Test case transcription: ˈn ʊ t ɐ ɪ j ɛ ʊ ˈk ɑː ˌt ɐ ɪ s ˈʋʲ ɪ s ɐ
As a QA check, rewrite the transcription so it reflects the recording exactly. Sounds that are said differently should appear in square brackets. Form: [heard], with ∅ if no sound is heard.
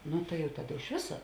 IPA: ˈn ʊ t ɐ ɪ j ɛ ʊ [ˈt] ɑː [ˌd] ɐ ɪ [ʃ] ˈʋʲ ɪ s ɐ